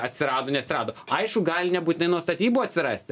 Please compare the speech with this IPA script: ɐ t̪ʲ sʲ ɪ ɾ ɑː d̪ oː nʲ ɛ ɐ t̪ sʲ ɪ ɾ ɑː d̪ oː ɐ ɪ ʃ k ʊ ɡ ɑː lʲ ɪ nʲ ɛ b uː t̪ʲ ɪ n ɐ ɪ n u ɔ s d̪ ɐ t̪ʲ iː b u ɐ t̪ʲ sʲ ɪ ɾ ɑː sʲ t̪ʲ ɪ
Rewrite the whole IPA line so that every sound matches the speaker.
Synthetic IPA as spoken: ɐ t̪ʲ sʲ ɪ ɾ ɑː d̪ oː nʲ ɛ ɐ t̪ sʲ ɪ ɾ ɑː d̪ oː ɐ ɪ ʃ k ʊ ɡ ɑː lʲ ɪ nʲ ɛ b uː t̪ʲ ɪ n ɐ ɪ n u ɔ s t̪ ɐ t̪ʲ iː b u ɐ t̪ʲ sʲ ɪ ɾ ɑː sʲ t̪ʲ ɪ